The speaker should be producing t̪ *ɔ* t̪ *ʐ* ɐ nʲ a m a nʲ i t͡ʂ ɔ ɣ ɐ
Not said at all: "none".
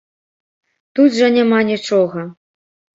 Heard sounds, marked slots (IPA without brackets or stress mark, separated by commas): u, ʐ